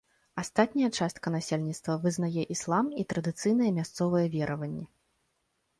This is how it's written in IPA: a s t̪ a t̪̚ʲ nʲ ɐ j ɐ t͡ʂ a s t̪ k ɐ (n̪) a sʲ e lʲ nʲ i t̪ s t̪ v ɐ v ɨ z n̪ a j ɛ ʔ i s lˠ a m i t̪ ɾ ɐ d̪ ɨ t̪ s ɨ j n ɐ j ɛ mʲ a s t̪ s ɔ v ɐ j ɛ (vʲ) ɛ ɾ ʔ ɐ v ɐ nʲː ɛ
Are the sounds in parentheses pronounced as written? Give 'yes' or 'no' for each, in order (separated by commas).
yes, yes